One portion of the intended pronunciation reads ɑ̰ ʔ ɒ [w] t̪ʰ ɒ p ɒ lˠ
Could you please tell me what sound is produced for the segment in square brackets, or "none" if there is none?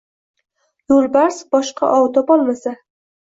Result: w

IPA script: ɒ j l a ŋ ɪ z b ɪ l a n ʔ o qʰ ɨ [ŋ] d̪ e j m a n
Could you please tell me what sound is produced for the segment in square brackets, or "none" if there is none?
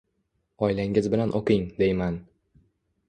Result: ŋ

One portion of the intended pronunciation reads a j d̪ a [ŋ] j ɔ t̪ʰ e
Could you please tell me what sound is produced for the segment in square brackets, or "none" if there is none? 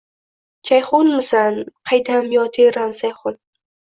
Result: m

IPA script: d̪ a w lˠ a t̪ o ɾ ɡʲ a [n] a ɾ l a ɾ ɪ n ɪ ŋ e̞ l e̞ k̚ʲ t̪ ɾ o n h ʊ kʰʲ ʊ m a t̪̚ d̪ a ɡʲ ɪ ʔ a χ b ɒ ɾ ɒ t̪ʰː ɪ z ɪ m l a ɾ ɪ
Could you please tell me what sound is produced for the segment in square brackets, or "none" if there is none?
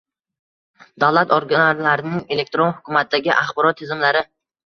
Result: n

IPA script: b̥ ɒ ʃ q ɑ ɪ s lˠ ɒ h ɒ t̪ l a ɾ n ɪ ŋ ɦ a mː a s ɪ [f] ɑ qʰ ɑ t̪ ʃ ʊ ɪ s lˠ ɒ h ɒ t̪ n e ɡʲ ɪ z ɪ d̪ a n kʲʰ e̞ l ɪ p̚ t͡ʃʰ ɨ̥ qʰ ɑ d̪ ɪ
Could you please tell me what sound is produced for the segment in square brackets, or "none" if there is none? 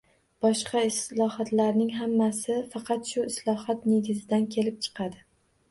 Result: f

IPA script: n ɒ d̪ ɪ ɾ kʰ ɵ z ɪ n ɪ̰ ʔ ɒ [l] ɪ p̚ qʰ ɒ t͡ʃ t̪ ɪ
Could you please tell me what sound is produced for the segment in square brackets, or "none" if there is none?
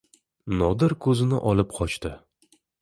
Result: l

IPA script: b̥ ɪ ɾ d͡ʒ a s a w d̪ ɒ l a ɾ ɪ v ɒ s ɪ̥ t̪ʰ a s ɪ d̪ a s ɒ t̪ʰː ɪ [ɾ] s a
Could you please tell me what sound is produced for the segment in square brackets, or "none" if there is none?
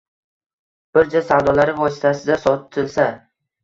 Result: l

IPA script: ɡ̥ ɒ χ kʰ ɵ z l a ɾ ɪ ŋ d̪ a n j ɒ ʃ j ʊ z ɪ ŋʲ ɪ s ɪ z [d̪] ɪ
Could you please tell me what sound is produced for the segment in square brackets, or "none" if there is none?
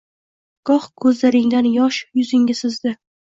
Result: d̪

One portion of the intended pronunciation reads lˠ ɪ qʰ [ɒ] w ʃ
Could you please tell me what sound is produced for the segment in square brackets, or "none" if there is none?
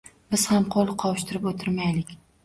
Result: ɒ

